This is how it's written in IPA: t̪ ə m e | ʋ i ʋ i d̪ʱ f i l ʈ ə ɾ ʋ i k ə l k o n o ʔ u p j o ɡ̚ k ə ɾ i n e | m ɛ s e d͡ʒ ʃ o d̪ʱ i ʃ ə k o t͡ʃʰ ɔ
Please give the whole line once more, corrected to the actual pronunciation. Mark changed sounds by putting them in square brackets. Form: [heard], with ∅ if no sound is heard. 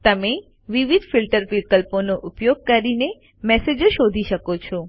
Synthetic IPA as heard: t̪ ə m e | ʋ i ʋ i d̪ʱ f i l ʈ ə ɾ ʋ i k ə l [p] o n o ʔ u p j o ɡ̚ k ə ɾ i n e | m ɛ s e d͡ʒ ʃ o d̪ʱ i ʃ ə k o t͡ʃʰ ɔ